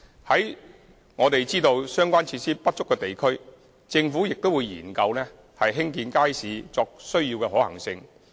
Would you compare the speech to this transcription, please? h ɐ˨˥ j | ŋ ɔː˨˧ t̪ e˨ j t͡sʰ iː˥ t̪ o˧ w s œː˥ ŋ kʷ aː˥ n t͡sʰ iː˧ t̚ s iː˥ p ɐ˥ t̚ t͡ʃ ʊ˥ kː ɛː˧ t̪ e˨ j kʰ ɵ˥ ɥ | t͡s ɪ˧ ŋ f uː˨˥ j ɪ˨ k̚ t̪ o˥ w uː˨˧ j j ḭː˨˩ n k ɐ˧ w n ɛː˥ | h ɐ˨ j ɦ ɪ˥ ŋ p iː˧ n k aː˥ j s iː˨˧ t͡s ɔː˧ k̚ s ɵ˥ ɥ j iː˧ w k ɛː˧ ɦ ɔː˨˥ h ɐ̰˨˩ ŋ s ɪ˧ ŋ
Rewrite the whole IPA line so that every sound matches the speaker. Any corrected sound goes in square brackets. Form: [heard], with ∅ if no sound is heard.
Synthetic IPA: h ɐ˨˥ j | ŋ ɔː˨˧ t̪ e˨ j [t͡s] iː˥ t̪ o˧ w s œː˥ ŋ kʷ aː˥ n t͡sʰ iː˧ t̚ s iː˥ p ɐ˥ t̚ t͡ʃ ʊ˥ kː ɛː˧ t̪ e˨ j kʰ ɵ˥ ɥ | t͡s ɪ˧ ŋ f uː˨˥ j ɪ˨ k̚ t̪ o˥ w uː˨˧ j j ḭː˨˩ n k ɐ˧ w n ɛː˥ | h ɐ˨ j ɦ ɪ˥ ŋ [k] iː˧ n k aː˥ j s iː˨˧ t͡s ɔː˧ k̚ s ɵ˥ ɥ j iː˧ w k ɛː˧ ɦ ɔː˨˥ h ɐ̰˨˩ ŋ s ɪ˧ ŋ

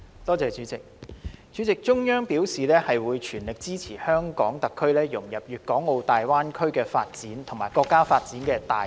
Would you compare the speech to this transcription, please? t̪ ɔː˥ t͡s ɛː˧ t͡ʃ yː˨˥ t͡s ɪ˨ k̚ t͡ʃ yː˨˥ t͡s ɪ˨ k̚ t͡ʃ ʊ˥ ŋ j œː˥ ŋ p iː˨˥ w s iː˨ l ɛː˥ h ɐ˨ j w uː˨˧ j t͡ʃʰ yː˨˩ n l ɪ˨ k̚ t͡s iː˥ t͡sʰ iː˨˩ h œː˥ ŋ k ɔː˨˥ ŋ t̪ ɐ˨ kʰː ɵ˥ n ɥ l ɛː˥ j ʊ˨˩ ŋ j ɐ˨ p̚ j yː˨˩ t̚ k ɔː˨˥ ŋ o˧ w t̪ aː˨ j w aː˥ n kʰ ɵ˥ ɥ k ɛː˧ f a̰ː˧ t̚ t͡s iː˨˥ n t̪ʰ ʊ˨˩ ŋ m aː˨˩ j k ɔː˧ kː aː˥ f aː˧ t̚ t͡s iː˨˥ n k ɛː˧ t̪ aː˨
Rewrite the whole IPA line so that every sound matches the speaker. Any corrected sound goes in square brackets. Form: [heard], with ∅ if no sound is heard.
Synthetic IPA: t̪ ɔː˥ t͡s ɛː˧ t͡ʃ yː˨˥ t͡s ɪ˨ k̚ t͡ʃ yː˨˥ t͡s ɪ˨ k̚ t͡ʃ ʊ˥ ŋ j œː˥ ŋ p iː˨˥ w s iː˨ l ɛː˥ h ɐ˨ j w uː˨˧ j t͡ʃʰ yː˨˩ n l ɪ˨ k̚ t͡s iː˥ t͡sʰ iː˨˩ h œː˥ ŋ k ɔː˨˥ ŋ t̪ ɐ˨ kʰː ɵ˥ [∅] ɥ l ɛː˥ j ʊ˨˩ ŋ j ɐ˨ p̚ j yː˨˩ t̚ k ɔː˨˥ ŋ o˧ w t̪ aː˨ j w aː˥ n kʰ ɵ˥ ɥ k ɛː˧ f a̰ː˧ t̚ t͡s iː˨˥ n t̪ʰ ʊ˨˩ ŋ m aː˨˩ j k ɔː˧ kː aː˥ f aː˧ t̚ t͡s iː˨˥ n k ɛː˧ t̪ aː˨

